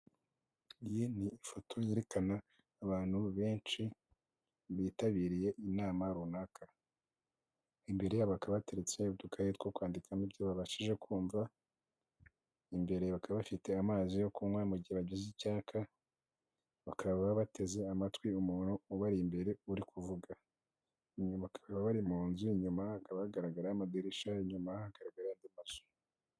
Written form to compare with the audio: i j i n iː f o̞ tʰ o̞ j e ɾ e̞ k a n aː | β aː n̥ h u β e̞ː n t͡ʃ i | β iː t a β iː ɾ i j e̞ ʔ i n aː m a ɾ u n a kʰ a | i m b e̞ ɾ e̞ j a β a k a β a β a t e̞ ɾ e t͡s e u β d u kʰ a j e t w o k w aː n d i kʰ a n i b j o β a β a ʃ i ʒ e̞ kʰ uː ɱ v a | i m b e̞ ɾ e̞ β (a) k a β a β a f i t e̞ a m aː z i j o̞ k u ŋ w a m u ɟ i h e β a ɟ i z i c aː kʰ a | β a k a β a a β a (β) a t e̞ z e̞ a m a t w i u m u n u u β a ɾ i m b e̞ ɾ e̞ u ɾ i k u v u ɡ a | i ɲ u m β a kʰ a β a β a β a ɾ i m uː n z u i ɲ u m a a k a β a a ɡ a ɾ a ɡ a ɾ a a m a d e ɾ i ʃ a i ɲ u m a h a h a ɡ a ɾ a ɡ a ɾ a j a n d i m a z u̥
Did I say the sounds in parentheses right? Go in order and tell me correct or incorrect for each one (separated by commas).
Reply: correct, correct